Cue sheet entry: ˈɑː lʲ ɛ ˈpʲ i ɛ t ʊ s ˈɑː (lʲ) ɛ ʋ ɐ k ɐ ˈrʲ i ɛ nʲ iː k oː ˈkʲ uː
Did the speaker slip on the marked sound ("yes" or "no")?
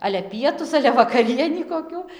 no